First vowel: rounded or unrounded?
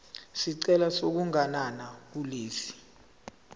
unrounded